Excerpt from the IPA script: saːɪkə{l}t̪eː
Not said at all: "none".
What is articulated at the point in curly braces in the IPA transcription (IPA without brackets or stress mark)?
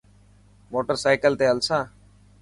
l